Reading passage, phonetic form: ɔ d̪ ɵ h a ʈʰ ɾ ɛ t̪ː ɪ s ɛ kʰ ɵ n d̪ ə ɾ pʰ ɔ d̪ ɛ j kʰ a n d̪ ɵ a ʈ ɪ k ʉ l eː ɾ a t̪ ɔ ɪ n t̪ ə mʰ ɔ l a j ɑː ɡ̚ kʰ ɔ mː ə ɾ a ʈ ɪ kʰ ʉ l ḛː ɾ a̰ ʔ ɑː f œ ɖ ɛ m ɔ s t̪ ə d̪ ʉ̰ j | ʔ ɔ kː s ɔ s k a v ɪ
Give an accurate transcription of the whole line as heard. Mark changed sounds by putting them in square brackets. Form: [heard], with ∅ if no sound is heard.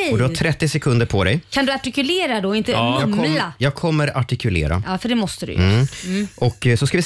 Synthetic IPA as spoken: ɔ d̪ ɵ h a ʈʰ ɾ ɛ t̪ː ɪ s ɛ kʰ ɵ n d̪ ə ɾ pʰ ɔ d̪ ɛ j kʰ a n d̪ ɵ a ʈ ɪ k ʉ l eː ɾ a [d̪] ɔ ɪ n t̪ ə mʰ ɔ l a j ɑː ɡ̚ kʰ ɔ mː ə ɾ a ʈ ɪ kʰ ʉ l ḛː ɾ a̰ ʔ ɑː f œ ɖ ɛ m ɔ s t̪ ə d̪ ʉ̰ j | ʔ ɔ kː s ɔ s k a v ɪ